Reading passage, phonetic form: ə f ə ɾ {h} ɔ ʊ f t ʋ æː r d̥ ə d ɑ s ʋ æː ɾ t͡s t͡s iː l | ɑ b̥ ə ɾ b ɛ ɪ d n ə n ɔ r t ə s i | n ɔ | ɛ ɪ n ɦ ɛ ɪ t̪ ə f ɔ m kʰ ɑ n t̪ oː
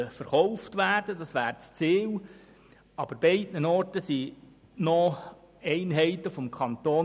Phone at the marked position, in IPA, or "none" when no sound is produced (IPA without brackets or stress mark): χ